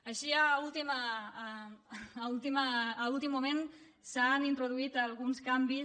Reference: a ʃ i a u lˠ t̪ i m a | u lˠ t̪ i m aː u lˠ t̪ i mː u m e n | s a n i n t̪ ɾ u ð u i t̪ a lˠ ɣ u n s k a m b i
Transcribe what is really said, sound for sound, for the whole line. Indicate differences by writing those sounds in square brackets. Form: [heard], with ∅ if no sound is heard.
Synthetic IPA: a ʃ i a u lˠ t̪ i m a | u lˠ t̪ i m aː u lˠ t̪ i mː u m e n | s a n i n t̪ ɾ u ð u i t̪ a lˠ ɣ u n s k a m b i